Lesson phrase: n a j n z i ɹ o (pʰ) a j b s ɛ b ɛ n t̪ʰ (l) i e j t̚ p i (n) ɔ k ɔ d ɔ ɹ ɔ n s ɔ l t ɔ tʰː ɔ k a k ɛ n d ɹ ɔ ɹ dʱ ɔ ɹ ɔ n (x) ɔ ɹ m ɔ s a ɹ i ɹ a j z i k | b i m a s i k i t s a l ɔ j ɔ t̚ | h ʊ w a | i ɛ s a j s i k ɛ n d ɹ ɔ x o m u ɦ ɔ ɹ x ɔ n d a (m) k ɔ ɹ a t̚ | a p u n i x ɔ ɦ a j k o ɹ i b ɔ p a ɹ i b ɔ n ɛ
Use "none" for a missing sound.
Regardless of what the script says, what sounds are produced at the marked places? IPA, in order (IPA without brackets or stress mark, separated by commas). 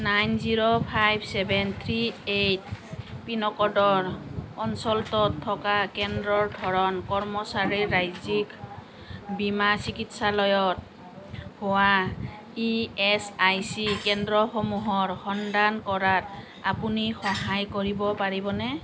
pʰ, ɹ, n, k, n